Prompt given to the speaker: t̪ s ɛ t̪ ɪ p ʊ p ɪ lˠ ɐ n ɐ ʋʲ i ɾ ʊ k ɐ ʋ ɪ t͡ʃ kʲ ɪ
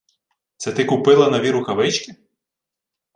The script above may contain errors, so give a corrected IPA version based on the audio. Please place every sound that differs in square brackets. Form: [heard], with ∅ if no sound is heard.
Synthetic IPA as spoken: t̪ s ɛ t̪ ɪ [k] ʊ p ɪ lˠ ɐ n ɐ ʋʲ i ɾ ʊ k ɐ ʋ ɪ t͡ʃ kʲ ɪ